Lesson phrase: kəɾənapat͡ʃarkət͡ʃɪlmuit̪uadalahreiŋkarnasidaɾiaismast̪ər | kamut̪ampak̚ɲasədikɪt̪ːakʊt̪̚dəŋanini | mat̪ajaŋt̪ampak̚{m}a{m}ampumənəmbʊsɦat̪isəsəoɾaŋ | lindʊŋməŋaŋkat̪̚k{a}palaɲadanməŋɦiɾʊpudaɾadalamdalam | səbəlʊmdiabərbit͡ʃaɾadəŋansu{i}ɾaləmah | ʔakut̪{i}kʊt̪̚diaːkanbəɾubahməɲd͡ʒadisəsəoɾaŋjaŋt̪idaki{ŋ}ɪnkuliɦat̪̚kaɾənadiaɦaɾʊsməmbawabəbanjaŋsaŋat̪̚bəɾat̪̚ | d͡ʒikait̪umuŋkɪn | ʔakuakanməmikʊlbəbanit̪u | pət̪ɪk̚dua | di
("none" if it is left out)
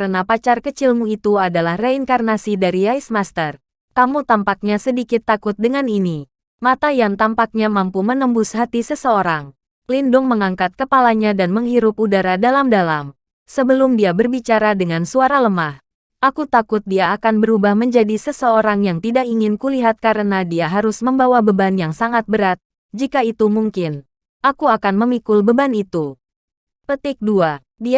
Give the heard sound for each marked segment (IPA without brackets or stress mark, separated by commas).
ɲ, m, ə, a, a, ŋ